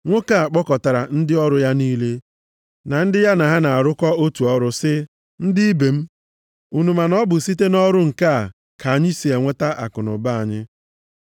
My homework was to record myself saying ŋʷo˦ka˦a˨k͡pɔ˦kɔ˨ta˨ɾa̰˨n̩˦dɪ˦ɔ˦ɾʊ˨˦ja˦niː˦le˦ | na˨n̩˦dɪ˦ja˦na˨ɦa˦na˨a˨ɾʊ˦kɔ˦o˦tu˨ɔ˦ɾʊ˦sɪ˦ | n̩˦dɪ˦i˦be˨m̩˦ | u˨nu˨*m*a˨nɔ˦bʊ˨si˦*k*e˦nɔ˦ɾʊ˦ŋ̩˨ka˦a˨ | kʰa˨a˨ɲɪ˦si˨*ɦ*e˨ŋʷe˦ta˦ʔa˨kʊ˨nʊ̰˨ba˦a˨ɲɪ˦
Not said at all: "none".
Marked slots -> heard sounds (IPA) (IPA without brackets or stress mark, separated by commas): m, t, none